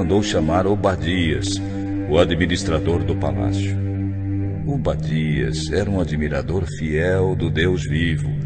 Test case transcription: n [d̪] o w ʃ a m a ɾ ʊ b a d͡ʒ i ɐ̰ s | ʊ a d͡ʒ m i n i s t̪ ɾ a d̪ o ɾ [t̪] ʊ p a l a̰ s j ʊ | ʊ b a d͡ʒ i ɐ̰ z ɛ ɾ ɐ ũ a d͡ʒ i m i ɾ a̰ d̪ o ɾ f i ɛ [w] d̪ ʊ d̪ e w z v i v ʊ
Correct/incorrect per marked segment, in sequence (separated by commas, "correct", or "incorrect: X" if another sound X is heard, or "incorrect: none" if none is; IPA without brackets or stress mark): correct, incorrect: d̪, correct